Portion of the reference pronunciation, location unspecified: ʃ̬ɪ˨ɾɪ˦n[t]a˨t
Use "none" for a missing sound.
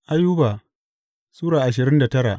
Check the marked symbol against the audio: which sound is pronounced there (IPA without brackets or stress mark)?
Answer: d